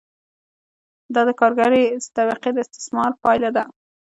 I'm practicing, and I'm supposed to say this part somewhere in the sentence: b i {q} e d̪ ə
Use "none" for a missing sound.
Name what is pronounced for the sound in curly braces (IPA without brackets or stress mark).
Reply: q